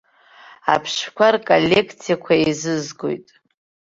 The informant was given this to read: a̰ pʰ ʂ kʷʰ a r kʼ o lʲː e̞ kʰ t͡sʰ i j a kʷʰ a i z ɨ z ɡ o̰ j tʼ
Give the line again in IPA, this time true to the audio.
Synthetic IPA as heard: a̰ pʰ ʂ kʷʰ a r kʼ o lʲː e̞ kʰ t͡sʰ i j a kʷʰ a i z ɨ z ɡ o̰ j tʼ